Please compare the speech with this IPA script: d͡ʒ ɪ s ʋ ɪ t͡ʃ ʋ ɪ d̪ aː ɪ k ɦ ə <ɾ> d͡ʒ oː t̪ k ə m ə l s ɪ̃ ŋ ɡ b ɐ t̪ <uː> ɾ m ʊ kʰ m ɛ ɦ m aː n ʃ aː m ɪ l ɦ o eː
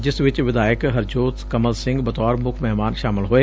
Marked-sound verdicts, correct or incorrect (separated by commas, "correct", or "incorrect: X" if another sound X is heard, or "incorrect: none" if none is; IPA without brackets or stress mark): correct, incorrect: ɔː